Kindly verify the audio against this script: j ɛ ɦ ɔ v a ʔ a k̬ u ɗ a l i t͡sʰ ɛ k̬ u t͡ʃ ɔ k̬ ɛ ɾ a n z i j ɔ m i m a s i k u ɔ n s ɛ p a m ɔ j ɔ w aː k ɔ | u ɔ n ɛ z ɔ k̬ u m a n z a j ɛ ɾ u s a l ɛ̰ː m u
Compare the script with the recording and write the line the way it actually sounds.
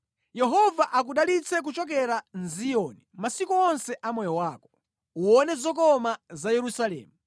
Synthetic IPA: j ɛ ɦ ɔ v a ʔ a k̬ u ɗ a l i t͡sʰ ɛ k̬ u t͡ʃ ɔ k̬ ɛ ɾ a n z i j ɔ n i m a s i k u ɔ n s ɛ ʔ a m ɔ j ɔ w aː k ɔ | u ɔ n ɛ z ɔ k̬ ɔ m a z a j ɛ ɾ u s a l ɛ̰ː m u